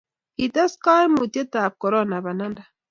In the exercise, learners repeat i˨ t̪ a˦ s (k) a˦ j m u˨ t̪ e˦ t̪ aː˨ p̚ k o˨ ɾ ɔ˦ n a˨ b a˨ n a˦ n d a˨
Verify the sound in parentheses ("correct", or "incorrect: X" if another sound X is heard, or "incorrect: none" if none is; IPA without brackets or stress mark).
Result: correct